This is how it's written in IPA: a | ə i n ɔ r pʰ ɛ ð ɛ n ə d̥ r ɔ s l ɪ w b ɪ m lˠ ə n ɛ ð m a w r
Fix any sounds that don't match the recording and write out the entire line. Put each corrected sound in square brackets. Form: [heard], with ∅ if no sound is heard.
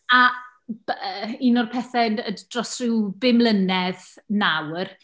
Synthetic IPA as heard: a | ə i n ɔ r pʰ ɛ [θ] ɛ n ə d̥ r ɔ s [r] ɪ w b ɪ m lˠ ə n ɛ ð [n] a w r